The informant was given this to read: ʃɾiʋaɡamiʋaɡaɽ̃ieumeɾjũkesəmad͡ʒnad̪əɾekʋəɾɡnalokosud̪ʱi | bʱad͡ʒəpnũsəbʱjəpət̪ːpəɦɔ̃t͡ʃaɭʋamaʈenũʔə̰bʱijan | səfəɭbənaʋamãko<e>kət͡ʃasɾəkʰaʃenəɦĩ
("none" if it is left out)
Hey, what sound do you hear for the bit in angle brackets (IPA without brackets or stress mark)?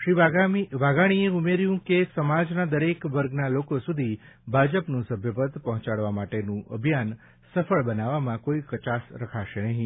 i